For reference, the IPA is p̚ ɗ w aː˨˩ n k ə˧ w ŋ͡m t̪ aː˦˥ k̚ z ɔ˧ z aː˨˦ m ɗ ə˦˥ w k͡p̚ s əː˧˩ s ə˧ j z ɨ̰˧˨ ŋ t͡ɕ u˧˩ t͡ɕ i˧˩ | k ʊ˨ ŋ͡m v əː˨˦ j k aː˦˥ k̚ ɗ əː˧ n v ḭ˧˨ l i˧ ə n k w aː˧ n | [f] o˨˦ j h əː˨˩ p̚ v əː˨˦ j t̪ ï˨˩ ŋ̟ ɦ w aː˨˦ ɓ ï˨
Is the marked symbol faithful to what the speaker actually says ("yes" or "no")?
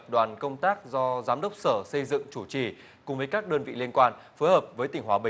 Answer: yes